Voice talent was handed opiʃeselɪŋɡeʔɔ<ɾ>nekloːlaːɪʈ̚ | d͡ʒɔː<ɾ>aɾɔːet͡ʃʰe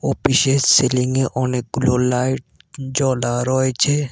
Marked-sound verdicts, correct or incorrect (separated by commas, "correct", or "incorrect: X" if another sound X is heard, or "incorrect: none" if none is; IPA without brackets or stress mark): incorrect: none, incorrect: l